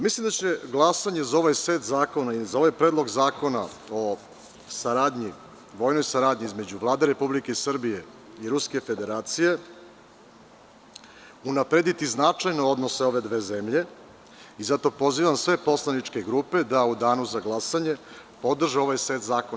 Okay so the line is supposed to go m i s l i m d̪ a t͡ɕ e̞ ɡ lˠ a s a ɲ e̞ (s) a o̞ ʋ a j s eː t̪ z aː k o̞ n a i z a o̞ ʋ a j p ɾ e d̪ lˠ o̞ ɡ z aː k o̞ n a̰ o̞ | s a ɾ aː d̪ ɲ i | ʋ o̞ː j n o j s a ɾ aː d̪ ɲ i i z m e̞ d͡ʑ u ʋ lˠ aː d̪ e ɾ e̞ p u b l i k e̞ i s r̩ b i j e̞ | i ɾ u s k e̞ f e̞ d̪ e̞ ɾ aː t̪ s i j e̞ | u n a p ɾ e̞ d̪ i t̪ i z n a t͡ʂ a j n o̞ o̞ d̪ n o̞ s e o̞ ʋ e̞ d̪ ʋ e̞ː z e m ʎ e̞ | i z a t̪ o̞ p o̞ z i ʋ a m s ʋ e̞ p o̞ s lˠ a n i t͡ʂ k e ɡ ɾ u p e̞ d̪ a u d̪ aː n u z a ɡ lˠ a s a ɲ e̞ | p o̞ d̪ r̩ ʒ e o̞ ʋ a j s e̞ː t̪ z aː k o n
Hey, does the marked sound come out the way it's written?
no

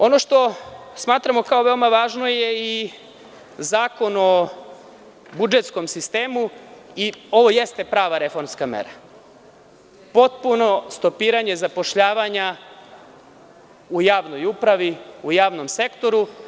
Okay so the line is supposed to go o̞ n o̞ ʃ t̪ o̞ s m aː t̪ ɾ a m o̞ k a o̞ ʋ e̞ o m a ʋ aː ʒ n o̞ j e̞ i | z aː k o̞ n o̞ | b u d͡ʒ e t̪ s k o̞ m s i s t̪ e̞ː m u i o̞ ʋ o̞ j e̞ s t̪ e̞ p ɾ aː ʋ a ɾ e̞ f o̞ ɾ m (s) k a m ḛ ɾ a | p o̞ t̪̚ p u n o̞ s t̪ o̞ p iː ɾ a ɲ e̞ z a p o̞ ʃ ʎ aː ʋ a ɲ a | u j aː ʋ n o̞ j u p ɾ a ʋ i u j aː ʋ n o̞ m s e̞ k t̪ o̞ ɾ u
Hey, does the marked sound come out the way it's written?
yes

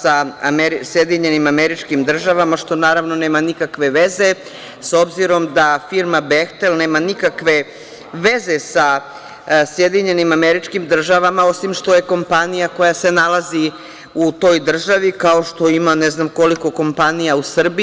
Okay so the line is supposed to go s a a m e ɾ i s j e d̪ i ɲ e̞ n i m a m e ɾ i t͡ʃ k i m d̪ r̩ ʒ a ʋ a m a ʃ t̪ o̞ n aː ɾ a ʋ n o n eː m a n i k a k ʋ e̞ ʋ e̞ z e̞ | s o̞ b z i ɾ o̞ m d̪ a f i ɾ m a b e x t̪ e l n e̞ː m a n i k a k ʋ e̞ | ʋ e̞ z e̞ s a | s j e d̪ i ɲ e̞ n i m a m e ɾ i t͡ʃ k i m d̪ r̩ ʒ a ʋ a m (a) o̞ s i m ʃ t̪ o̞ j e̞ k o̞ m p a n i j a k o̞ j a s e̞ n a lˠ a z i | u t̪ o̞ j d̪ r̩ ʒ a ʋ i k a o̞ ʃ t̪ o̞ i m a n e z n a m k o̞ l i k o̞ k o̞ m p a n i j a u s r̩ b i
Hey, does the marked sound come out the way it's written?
yes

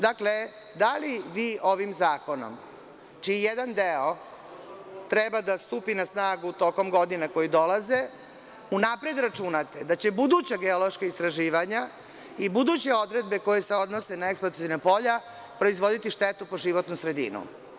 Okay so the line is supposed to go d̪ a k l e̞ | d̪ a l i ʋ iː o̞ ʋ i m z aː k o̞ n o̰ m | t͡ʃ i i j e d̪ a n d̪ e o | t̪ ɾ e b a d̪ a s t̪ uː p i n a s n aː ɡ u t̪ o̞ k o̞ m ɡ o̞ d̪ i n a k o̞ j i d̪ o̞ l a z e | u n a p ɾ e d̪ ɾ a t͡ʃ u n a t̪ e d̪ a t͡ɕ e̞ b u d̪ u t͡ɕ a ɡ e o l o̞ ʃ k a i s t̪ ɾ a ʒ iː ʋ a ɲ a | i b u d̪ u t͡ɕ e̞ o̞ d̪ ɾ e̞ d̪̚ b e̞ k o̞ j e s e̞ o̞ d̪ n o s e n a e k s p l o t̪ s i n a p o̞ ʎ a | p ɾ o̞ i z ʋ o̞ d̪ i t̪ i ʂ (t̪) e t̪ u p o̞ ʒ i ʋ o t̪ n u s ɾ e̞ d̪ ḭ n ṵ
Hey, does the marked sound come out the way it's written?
yes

